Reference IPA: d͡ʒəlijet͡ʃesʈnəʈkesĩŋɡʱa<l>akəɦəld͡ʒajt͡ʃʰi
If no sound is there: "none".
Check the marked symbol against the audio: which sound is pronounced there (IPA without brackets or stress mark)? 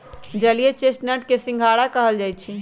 ɽ